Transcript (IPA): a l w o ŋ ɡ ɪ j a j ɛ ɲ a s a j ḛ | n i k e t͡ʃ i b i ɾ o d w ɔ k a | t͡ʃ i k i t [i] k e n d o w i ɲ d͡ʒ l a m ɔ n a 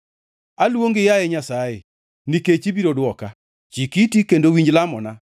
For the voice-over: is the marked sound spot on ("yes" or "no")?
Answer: yes